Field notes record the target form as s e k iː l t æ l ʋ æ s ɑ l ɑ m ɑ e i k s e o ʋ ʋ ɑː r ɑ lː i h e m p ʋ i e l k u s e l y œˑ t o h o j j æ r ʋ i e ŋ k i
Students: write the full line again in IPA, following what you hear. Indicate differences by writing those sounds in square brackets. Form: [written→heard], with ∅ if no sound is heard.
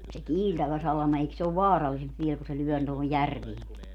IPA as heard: s e k iː l t æ [l→∅] ʋ æ s ɑ l ɑ m ɑ e i k s e o ʋ ʋ ɑː r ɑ lː i [h→s] e m p ʋ i e l k u s e l y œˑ t o h o j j æ r ʋ i e ŋ k i